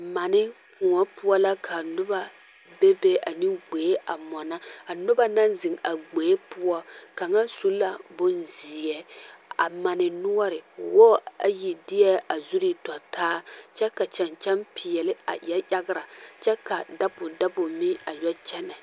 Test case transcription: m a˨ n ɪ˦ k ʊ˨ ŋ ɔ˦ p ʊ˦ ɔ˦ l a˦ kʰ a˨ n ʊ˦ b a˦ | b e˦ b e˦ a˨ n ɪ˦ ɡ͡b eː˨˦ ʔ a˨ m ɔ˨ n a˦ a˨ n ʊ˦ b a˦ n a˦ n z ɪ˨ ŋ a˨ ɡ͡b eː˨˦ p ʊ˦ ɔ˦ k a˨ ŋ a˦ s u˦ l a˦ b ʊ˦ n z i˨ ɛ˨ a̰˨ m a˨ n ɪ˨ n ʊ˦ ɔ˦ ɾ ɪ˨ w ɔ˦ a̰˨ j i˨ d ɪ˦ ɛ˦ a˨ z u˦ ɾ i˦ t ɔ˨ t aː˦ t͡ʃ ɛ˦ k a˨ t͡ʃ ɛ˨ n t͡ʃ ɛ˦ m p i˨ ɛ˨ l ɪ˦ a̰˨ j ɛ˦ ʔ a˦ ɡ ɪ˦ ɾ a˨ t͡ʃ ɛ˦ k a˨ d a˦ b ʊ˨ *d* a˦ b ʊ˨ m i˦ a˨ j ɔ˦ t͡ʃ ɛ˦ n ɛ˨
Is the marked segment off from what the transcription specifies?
no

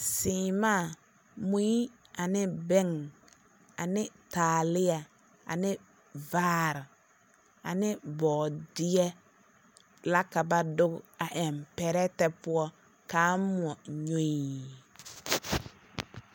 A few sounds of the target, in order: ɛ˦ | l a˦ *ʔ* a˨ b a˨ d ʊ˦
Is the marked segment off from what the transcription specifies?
yes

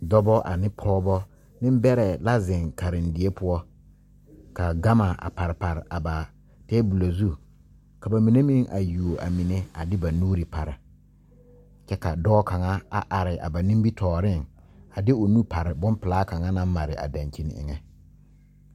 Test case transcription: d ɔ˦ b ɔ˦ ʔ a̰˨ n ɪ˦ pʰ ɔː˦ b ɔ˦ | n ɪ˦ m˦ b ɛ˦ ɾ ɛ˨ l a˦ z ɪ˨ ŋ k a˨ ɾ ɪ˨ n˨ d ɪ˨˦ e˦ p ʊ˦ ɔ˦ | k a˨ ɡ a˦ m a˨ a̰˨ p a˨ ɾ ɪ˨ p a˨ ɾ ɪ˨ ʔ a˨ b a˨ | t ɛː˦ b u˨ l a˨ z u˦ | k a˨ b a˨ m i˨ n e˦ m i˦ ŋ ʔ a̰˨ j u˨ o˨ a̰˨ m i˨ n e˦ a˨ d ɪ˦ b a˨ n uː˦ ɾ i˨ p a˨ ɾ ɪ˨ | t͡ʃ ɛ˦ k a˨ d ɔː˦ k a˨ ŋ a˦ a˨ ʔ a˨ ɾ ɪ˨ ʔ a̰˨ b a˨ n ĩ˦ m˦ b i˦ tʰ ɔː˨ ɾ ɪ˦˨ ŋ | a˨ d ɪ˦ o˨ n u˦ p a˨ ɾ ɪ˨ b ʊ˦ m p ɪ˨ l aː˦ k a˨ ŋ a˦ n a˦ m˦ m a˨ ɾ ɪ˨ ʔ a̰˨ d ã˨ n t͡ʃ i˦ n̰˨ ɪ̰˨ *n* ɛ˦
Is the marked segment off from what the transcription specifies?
yes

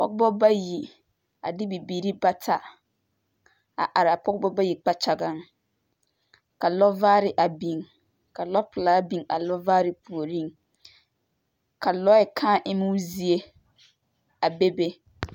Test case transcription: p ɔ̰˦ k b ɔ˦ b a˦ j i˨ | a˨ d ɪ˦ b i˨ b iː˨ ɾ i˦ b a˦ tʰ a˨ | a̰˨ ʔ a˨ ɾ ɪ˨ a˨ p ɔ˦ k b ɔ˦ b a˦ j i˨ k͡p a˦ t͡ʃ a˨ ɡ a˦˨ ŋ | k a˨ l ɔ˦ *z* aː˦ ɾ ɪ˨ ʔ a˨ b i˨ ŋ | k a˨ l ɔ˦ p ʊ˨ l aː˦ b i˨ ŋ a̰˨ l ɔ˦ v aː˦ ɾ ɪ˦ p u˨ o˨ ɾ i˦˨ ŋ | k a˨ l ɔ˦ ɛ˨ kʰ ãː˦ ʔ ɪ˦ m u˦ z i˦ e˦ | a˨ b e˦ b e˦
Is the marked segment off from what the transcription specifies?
yes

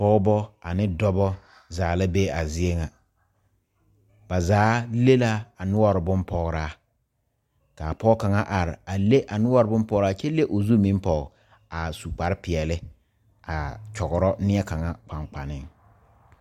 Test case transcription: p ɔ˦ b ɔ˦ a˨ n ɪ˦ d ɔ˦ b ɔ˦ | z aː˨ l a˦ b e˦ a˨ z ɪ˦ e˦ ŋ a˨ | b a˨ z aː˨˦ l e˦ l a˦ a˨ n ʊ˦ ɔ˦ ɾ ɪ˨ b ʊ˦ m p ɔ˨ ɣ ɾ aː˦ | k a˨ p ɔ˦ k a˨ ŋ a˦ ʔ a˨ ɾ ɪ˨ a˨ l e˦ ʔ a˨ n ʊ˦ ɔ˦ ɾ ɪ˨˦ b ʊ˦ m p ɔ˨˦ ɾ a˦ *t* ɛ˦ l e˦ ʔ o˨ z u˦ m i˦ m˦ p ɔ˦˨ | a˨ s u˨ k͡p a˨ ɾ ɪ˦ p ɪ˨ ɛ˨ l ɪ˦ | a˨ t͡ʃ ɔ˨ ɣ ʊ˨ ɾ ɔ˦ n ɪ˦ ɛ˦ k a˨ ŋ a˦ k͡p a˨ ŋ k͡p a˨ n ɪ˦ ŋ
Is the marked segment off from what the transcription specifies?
yes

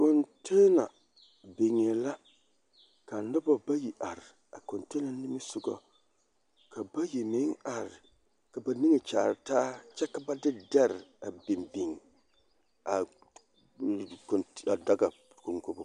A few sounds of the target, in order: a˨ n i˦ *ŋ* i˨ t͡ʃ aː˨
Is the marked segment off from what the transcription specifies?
no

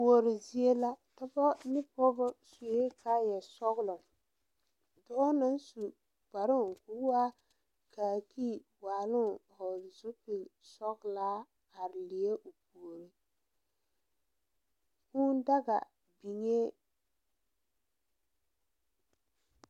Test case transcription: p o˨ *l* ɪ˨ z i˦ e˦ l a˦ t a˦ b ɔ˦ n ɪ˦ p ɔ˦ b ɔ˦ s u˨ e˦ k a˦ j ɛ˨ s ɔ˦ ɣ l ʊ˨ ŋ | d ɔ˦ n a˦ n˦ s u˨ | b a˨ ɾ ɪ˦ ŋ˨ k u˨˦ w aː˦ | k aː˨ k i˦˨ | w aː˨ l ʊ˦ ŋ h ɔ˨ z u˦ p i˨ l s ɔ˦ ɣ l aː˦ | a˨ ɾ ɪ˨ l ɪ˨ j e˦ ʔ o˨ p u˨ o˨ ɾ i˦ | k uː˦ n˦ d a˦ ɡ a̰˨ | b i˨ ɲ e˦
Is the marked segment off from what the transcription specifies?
yes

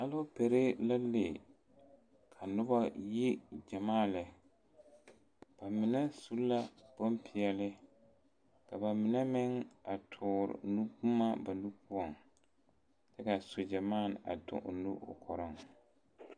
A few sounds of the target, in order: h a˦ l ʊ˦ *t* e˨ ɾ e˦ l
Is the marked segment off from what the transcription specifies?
yes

